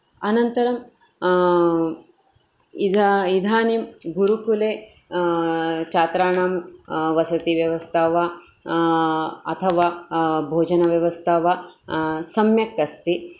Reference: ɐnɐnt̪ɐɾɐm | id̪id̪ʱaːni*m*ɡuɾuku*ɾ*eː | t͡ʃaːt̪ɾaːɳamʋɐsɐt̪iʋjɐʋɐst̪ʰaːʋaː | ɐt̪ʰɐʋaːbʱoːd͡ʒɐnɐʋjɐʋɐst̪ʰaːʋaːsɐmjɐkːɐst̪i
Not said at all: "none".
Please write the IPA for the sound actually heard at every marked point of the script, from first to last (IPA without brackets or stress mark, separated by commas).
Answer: m, l